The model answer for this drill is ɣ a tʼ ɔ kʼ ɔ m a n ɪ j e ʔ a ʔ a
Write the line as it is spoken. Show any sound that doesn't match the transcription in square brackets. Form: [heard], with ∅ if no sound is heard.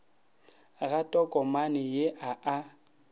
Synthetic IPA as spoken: ɣ a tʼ ɔ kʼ ɔ m a n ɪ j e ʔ a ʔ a